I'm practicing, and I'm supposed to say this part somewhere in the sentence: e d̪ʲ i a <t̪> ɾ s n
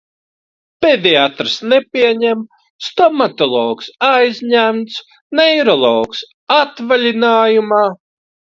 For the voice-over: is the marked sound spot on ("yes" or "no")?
yes